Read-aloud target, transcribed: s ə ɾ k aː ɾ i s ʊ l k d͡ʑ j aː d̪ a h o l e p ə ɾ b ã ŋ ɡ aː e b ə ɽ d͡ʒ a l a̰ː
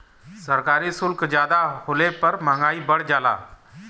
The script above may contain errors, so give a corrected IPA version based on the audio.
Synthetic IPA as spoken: s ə ɾ k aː ɾ i s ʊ l k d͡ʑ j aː d̪ a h o l e p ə ɾ m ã ŋ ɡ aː i b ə ɽ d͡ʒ a l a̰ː